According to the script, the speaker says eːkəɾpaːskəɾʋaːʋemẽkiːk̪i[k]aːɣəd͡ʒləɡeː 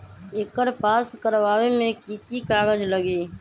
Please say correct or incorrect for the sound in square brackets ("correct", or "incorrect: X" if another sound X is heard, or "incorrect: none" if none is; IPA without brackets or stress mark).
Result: correct